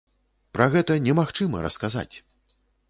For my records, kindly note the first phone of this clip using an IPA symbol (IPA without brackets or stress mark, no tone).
p